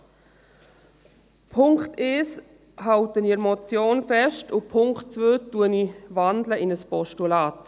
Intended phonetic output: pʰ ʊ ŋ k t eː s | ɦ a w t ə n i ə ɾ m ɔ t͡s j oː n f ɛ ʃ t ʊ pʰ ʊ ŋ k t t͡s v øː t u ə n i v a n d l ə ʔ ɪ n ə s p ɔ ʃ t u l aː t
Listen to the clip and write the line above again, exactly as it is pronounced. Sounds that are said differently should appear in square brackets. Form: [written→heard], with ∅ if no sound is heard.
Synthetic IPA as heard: pʰ ʊ ŋ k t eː s | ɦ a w t ə n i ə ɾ m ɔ t͡s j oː n f ɛ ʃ t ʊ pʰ ʊ ŋ k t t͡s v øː t u ə n i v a n d l ə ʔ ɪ n ə s p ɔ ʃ t u l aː t

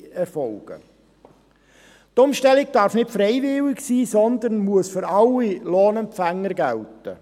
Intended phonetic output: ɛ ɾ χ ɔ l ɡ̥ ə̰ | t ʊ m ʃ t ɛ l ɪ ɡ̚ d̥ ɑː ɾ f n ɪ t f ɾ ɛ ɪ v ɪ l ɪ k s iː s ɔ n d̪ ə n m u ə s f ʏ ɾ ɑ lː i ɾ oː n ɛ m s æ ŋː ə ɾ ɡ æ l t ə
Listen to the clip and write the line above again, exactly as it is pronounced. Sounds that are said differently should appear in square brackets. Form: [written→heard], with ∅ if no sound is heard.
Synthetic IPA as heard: ɛ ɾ [χ→f] ɔ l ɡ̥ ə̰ | t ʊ m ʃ t ɛ l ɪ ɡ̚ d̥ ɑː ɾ f n ɪ t f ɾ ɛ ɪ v ɪ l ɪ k s iː s ɔ n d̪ ə n m u ə s f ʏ ɾ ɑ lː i [ɾ→l] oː n ɛ m [s→f] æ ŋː ə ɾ ɡ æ l t ə

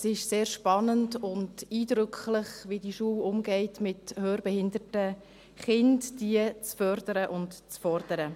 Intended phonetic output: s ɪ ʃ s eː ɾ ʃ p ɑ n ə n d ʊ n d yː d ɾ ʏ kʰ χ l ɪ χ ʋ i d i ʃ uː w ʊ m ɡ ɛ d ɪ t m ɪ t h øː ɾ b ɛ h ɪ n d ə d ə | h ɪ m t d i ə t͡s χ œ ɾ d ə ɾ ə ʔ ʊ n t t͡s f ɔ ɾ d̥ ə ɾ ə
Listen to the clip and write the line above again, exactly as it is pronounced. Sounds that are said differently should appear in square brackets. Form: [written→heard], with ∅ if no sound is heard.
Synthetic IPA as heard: s ɪ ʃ s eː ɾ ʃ p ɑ n ə n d ʊ n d [yː→iː] d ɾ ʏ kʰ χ l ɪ χ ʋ i d i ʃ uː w ʊ m ɡ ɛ [d→∅] ɪ t m ɪ t h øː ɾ b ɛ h ɪ n d ə [d→t] ə | [h→χ] ɪ [m→n] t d i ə t͡s [χ→f] œ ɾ d ə ɾ ə ʔ ʊ n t t͡s f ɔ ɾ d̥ ə ɾ ə

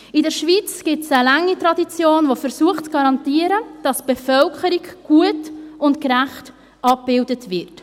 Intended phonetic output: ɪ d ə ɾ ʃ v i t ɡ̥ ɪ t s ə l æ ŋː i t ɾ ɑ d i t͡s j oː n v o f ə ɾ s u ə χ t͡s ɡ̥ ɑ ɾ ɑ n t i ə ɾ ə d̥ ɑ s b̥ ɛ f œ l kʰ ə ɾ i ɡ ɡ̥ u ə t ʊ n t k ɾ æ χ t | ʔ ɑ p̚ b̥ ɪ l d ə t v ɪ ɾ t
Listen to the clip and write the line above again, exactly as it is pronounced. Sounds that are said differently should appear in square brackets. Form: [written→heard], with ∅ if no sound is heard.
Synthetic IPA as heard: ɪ d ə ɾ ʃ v i [t→t͡s] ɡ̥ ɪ t s ə l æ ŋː i t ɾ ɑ d i t͡s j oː n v o f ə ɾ s u ə χ t͡s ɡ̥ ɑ ɾ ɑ n t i ə ɾ ə d̥ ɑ s b̥ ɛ f œ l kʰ ə ɾ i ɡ ɡ̥ u ə t ʊ n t k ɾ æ χ t | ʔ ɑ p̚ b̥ ɪ l d ə t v ɪ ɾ t

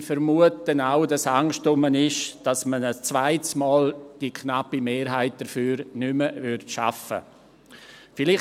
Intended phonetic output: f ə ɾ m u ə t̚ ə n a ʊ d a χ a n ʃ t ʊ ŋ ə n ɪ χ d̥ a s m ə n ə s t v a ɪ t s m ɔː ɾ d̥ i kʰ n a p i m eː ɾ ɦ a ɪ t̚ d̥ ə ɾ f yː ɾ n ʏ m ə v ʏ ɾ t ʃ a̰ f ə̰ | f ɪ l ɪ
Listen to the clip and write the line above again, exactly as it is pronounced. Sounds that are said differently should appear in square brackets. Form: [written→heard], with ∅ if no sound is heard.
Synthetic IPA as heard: f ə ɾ m u ə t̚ ə n a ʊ d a [χ→s] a [n→ŋ] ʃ t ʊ [ŋ→m] ə n ɪ [χ→ʃ] d̥ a s m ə n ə s [t→t͡s] v a ɪ t s m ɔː [ɾ→l] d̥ i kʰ n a p i m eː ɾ ɦ a ɪ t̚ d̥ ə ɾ f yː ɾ n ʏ m ə v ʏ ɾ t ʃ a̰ f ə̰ | f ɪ l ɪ

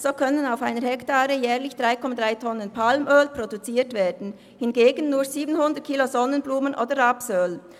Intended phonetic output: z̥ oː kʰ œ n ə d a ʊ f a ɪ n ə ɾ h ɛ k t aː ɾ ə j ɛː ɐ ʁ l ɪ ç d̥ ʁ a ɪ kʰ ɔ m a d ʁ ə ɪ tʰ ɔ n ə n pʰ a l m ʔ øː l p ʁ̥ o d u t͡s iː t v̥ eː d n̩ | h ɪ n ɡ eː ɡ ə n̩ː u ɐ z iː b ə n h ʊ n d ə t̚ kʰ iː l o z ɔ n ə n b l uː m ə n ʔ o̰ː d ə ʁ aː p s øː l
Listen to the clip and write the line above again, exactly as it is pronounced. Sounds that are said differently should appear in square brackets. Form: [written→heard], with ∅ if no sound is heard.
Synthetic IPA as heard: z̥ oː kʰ œ n ə [d→n] a ʊ f a ɪ n ə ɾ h ɛ k t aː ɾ ə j ɛː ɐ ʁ l ɪ ç d̥ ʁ a ɪ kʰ ɔ m a d ʁ [ə→a] ɪ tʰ ɔ n ə n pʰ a l m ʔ øː l p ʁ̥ o d u t͡s iː t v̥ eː d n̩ | h ɪ n ɡ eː ɡ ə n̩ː [u→uː] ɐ z iː b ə n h ʊ n d ə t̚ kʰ iː l o z ɔ n ə n b l uː m ə n ʔ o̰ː d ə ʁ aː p s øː l

